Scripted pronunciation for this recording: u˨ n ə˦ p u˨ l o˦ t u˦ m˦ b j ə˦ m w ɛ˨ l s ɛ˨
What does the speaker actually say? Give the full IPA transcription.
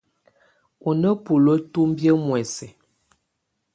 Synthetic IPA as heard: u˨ n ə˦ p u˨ l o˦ t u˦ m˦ b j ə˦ m w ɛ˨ s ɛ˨